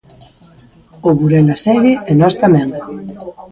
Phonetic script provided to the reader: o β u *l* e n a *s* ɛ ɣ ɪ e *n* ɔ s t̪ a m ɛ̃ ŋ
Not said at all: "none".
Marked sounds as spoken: ɾ, s, n

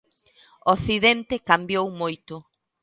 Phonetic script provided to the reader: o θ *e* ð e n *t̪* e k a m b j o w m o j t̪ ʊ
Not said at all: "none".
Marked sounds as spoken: i, t̪

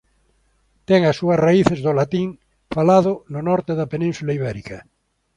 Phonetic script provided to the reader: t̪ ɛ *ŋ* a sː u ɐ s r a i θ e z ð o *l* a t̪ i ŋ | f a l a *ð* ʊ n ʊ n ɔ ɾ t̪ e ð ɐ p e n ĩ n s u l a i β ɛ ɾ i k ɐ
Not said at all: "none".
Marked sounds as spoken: ŋ, l, ð

